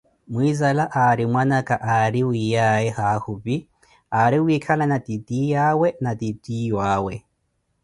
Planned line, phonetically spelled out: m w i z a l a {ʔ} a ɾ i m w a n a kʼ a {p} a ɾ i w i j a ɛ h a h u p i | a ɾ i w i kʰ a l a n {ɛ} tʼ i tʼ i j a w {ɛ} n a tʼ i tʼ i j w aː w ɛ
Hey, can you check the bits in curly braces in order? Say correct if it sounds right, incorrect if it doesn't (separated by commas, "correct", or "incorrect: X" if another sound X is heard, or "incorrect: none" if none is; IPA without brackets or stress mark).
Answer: correct, incorrect: ʔ, incorrect: a, correct